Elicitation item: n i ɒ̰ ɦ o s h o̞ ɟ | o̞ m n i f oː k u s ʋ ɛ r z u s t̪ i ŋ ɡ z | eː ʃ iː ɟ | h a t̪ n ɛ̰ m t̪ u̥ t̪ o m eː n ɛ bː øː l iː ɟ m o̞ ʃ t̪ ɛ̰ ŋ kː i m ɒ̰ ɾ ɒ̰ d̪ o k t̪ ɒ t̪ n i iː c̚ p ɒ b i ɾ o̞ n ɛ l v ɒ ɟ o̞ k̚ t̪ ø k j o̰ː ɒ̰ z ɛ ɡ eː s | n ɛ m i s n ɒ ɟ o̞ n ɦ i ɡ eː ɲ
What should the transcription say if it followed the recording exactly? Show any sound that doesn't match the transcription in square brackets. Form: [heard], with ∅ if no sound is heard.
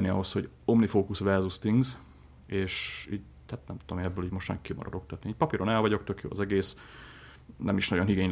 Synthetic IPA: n i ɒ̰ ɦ o s h o̞ ɟ | o̞ m n i f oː k u s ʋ ɛ r z u s t̪ i ŋ ɡ z | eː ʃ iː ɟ | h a t̪ n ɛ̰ m t̪ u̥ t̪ o m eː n ɛ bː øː l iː ɟ m o̞ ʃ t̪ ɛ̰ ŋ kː i m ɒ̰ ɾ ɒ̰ d̪ o k t̪ ɒ t̪ n i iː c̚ p ɒ [p] i ɾ o̞ n ɛ l v ɒ ɟ o̞ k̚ t̪ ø k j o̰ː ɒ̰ z ɛ ɡ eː s | n ɛ m i [ʃ] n ɒ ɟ o̞ n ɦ i ɡ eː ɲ